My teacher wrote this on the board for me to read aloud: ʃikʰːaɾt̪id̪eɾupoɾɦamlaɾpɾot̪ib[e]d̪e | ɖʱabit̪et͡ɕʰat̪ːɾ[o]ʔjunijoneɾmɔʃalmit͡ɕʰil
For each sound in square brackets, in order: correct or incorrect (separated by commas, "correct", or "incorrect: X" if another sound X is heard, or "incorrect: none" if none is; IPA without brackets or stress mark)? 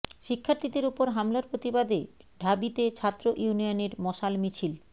incorrect: a, correct